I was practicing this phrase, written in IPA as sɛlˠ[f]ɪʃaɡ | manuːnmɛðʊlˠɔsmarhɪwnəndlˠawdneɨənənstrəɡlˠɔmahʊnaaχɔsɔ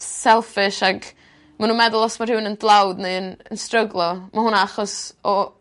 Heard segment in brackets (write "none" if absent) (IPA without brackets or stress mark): f